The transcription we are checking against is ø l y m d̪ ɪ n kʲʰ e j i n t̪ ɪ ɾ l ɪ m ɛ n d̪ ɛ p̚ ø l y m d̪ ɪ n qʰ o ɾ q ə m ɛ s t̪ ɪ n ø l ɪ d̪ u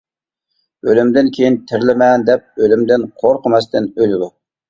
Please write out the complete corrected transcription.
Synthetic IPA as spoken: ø l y m d̪ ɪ n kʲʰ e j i n t̪ʰ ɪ ɾ l ɪ m ɛ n d̪ ɛ p̚ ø l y m d̪ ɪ n qʰ o ɾ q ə m ɛ s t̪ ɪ n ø l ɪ d̪ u